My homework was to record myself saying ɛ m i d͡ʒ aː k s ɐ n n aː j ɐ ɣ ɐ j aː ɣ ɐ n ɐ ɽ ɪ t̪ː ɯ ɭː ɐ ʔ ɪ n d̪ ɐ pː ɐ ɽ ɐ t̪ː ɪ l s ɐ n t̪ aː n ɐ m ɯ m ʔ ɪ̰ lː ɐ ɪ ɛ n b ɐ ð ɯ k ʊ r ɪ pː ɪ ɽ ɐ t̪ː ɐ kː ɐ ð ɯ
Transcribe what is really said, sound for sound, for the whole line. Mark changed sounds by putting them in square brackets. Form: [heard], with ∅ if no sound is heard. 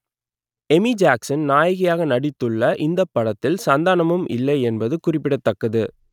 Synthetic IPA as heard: ɛ m i d͡ʒ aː k s ɐ n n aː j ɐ ɣ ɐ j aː ɣ ɐ n ɐ ɽ ɪ t̪ː ɯ ɭː ɐ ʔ ɪ n d̪ ɐ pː ɐ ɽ ɐ t̪ː ɪ l s ɐ n [d̪] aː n ɐ m ɯ m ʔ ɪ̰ lː ɐ ɪ ɛ n b ɐ ð ɯ k ʊ r ɪ pː ɪ ɽ ɐ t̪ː ɐ kː ɐ ð ɯ